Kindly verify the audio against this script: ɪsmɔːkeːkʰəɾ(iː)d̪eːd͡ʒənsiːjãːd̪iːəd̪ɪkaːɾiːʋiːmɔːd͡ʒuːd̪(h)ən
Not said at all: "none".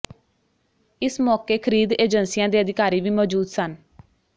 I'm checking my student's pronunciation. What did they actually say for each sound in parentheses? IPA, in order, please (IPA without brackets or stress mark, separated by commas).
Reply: iː, s